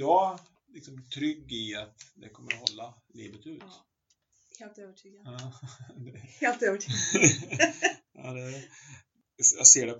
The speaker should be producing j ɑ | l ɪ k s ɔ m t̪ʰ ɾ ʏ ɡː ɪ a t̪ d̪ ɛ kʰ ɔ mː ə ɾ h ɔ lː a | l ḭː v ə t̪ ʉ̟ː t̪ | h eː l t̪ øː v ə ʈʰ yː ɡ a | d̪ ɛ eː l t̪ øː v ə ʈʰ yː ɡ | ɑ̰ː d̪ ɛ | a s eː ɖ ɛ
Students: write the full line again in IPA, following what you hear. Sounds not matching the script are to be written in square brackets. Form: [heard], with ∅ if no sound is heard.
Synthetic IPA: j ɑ | l ɪ k s ɔ m t̪ʰ ɾ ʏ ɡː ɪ a t̪ d̪ ɛ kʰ ɔ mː ə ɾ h ɔ lː a | l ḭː v ə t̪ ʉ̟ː t̪ | h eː l t̪ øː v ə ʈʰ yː ɡ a | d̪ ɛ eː l t̪ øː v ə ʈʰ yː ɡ | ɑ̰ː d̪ ɛ | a s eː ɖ ɛ